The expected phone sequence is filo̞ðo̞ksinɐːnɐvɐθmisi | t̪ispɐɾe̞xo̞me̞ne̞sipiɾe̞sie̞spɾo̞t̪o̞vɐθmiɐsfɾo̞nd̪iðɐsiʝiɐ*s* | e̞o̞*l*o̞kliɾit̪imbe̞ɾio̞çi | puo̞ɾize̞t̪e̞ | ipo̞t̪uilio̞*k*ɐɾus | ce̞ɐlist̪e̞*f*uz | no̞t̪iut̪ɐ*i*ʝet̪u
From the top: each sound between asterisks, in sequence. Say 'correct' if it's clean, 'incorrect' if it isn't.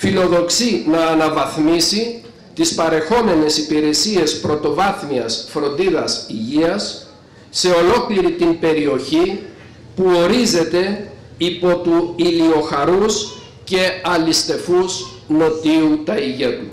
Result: incorrect: sː, correct, incorrect: x, correct, correct

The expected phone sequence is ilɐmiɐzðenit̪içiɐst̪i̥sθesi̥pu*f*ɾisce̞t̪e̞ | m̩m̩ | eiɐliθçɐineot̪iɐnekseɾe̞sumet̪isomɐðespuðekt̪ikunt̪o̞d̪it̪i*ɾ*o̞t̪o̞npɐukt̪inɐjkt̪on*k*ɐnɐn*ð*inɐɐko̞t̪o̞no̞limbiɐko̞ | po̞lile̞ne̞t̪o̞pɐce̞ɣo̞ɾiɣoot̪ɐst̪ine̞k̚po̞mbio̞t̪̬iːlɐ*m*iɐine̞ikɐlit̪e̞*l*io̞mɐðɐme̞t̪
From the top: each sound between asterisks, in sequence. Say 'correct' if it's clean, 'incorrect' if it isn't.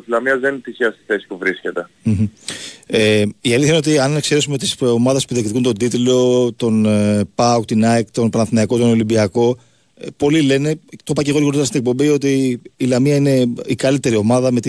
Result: incorrect: v, incorrect: l, incorrect: p, incorrect: θ, correct, incorrect: ɾ

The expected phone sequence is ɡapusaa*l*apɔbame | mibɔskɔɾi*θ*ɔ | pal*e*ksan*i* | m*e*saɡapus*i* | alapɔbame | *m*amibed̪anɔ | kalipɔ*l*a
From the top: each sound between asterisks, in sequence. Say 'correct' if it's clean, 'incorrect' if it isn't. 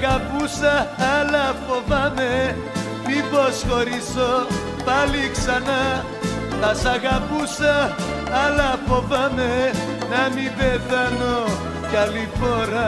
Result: correct, incorrect: s, incorrect: i, incorrect: a, incorrect: a, incorrect: a, incorrect: n, incorrect: ɾ

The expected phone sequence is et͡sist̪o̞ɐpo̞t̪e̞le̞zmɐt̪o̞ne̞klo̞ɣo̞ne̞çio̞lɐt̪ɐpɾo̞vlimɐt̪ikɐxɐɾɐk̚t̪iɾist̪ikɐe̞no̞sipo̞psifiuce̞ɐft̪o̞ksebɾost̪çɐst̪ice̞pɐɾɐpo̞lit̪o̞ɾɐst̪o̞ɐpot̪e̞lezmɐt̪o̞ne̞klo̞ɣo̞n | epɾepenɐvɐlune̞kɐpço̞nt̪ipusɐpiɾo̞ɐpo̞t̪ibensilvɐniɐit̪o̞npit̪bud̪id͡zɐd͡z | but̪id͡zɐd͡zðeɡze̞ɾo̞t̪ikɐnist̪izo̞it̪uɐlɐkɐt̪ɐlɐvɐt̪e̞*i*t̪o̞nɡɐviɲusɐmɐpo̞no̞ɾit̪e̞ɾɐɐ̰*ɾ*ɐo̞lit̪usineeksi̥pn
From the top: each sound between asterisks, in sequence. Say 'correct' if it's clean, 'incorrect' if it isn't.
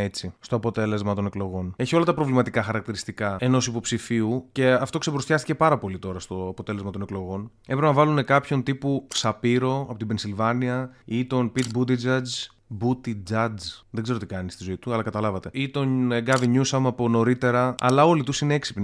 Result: correct, incorrect: l

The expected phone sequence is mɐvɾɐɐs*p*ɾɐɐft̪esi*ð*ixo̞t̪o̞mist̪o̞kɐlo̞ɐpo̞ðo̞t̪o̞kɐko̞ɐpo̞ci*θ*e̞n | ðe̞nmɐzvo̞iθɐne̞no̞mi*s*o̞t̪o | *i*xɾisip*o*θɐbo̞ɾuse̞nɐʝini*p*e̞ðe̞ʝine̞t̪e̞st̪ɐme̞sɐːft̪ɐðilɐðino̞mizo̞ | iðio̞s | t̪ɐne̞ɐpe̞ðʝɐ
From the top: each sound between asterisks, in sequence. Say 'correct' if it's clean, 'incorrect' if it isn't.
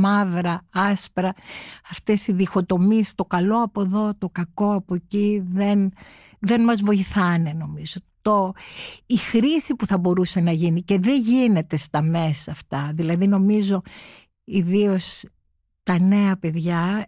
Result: correct, correct, incorrect: ð, incorrect: z, correct, incorrect: u, incorrect: c

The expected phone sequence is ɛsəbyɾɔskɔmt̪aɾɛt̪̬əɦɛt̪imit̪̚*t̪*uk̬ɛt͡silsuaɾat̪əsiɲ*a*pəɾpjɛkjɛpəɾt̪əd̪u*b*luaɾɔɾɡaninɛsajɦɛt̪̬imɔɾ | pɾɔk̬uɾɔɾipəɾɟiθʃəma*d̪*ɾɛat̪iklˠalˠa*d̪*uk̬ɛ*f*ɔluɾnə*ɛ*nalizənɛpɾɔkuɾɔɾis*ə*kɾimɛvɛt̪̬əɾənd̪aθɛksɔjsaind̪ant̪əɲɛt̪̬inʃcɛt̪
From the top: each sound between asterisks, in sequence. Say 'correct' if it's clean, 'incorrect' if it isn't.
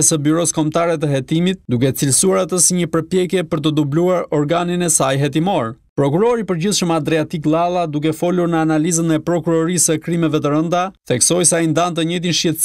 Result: incorrect: d̪, incorrect: ə, correct, correct, correct, correct, incorrect: a, correct

